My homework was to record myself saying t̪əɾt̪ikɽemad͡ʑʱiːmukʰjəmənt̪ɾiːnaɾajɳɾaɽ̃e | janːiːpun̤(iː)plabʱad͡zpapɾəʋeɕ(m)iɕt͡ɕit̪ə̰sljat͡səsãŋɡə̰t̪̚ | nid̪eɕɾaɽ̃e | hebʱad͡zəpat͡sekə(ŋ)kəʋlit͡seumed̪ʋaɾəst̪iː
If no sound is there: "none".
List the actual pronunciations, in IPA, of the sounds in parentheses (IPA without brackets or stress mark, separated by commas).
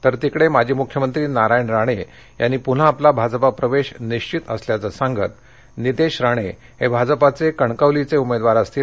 aː, n, ɳ